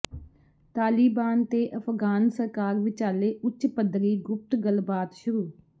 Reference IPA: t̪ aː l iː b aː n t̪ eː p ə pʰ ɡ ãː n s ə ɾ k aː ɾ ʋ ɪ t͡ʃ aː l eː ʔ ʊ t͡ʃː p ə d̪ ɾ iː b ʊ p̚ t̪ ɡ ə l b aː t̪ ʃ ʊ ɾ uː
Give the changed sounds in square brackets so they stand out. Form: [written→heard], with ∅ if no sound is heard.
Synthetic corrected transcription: t̪ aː l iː b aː n t̪ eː [p→ʔ] ə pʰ ɡ [ãː→aː] n s ə ɾ k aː ɾ ʋ ɪ t͡ʃ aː l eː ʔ ʊ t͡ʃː p ə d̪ ɾ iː [b→ɡ] ʊ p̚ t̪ ɡ ə l b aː t̪ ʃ ʊ ɾ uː